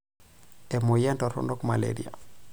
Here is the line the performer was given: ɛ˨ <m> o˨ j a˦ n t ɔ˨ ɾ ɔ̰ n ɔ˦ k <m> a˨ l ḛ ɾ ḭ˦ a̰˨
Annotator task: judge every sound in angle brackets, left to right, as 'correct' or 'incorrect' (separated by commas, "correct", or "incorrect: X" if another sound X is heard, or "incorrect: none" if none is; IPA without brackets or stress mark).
correct, correct